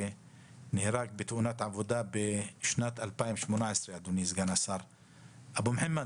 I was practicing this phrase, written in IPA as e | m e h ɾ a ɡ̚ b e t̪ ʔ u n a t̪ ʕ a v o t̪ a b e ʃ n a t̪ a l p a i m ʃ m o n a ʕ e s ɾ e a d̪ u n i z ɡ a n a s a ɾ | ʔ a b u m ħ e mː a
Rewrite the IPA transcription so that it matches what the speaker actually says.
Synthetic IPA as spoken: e | n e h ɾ a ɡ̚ b e t̪ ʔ u n a t̪ ʕ a v o d̪ a b e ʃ n a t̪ a l p a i m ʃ m o n a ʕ e s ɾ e a d̪ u n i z ɡ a n a s a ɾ | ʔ a b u m ħ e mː a